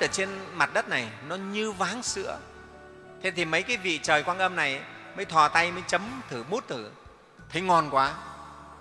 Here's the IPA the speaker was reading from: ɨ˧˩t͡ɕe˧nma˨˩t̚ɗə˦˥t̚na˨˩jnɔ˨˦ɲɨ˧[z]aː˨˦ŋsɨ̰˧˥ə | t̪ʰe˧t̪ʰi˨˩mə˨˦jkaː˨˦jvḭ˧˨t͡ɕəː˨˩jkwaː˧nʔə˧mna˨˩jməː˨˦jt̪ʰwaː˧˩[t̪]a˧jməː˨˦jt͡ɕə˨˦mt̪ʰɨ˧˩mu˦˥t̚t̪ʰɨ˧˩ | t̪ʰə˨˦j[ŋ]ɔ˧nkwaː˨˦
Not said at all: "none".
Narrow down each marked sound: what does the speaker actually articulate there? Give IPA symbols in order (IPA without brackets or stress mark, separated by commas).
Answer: v, t̪, ŋ